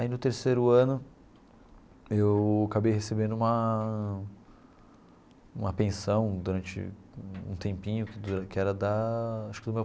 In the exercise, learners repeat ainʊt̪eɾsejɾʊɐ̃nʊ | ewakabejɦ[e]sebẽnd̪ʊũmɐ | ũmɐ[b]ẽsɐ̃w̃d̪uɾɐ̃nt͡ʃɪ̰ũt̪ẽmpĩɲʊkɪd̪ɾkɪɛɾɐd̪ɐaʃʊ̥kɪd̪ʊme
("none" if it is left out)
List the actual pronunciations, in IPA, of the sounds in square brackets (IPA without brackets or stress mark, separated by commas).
e, p